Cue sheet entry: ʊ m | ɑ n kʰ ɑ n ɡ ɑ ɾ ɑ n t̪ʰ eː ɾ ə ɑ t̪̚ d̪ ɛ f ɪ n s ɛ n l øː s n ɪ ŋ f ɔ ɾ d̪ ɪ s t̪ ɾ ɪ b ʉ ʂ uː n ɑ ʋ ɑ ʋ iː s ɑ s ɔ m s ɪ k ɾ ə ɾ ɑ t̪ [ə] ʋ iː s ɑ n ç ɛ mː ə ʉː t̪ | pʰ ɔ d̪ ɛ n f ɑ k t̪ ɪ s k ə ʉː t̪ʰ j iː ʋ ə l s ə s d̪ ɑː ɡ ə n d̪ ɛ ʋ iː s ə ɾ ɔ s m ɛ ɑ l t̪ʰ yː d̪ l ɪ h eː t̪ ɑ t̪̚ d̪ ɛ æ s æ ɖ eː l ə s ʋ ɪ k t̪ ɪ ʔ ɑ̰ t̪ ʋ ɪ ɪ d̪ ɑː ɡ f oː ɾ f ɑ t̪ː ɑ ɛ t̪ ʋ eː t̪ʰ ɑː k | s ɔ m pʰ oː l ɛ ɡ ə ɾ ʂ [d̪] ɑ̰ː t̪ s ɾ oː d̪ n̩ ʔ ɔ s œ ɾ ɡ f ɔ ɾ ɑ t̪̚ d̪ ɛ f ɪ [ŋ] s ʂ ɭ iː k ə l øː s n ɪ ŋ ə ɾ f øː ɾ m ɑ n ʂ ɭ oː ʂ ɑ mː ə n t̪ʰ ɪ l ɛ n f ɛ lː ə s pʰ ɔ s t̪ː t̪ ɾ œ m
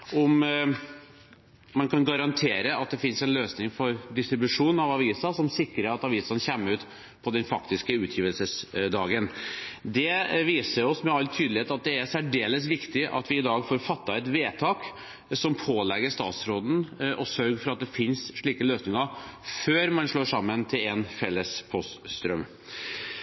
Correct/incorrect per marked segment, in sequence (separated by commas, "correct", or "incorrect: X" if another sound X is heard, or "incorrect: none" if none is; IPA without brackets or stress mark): incorrect: ɑ, incorrect: t̪, incorrect: n